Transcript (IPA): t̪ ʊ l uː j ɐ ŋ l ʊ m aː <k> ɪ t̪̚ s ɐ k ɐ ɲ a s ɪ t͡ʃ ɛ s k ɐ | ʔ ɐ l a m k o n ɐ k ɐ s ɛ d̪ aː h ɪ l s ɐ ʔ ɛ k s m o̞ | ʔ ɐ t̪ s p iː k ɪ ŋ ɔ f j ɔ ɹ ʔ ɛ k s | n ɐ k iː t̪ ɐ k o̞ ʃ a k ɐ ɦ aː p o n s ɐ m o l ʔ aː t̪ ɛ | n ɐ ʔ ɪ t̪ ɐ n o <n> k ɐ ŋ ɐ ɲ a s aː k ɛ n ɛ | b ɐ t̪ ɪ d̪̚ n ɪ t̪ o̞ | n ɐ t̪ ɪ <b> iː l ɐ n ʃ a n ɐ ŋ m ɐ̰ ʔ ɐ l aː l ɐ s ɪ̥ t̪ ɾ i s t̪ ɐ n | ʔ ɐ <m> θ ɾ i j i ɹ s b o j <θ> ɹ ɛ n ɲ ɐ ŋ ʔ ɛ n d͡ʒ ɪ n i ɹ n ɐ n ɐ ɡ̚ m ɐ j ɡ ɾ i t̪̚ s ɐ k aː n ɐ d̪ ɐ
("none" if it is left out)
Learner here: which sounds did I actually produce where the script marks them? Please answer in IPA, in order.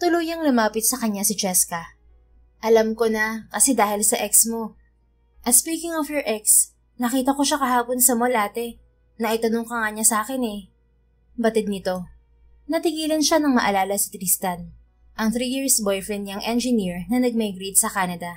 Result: p, ŋ, ɡ, ŋ, f

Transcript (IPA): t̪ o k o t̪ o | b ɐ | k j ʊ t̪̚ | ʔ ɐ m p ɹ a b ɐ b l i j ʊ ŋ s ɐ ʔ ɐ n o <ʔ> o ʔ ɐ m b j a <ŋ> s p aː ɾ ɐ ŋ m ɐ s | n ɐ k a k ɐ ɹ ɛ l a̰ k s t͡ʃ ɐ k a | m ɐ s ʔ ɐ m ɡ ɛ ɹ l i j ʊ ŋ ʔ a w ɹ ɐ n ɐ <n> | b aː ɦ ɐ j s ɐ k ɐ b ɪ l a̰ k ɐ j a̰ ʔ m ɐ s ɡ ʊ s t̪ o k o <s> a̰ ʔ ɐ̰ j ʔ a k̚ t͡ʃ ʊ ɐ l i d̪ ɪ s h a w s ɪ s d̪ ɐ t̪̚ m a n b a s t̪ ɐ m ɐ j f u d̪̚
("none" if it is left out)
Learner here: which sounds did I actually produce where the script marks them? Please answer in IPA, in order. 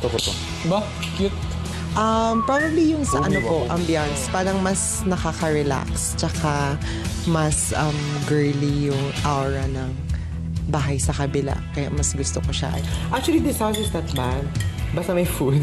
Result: p, n, ŋ, ʃ

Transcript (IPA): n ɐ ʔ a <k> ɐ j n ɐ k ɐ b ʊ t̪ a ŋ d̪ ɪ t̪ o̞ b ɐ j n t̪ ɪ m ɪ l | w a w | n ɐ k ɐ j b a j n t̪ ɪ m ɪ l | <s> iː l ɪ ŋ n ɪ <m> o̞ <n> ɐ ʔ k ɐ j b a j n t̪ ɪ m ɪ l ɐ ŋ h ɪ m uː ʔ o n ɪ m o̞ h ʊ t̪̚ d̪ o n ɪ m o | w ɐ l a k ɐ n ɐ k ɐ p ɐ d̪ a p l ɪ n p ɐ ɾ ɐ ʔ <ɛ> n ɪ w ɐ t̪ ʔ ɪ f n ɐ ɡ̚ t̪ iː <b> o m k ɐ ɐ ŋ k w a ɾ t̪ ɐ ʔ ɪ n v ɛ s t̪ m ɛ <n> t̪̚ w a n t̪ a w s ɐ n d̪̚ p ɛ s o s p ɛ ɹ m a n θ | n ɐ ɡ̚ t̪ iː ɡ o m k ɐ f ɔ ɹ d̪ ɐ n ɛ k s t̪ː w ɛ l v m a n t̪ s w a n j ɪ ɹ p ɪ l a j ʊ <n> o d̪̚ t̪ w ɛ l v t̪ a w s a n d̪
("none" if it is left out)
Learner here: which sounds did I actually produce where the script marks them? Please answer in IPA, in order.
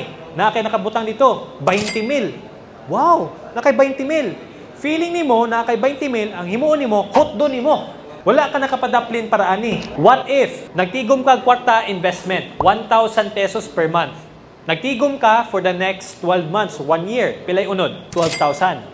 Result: k, f, m, n, a, ɡ, n, n

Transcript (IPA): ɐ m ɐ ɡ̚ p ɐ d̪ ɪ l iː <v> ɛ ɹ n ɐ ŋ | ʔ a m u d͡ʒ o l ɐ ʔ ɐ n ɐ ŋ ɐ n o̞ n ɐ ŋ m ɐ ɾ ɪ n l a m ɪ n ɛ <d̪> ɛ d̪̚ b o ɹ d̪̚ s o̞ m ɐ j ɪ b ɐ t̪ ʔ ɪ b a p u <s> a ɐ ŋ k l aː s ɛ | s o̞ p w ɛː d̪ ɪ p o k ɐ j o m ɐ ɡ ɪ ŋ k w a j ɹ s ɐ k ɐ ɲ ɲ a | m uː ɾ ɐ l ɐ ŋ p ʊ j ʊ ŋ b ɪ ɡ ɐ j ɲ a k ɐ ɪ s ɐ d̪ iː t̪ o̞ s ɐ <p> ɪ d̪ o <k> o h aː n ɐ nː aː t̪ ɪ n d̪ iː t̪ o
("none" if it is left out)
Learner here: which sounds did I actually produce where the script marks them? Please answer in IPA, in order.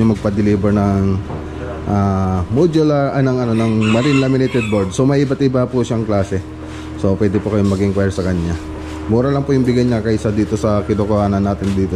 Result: b, t̪, ʃ, k, k

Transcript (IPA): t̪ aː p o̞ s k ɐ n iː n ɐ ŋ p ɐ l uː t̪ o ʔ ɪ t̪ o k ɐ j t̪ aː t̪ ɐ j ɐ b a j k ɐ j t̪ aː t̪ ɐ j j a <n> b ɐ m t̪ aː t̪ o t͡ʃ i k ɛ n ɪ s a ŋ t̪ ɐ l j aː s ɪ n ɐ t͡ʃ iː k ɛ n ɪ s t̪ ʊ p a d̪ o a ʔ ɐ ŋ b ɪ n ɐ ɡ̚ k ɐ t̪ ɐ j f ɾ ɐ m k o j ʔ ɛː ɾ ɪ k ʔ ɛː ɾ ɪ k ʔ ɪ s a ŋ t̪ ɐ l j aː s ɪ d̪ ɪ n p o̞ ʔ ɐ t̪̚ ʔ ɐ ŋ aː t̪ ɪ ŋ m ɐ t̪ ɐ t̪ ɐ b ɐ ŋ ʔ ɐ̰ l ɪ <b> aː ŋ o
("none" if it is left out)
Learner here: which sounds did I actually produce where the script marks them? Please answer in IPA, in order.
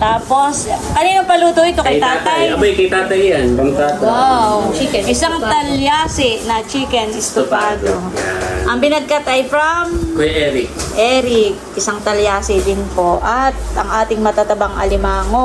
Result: n, m

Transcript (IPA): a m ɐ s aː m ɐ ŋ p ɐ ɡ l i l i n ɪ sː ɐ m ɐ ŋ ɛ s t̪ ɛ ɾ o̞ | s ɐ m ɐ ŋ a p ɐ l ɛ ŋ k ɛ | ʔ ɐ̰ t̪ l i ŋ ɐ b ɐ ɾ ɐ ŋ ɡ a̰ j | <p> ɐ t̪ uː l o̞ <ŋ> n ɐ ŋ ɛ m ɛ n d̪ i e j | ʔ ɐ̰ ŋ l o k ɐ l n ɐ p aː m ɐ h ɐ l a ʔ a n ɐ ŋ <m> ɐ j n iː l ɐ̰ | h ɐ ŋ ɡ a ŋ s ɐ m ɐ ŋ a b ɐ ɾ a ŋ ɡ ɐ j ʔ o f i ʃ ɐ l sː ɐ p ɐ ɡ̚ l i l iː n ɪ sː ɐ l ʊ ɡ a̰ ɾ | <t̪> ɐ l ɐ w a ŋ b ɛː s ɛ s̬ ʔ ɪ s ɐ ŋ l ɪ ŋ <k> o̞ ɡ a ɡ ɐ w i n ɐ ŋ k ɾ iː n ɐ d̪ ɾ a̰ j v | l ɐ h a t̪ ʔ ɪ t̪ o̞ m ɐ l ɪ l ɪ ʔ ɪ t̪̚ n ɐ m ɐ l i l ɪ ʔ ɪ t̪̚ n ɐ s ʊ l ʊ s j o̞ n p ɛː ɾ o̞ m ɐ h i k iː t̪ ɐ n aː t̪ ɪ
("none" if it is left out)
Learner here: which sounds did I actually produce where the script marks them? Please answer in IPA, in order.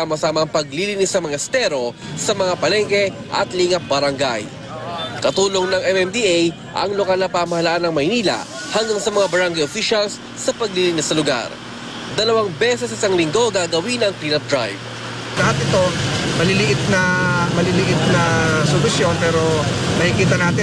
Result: k, ŋ, m, d̪, ɡ

